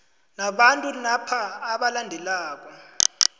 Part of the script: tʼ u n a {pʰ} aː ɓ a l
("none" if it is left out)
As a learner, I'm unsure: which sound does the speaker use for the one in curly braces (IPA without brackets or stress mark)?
pʰ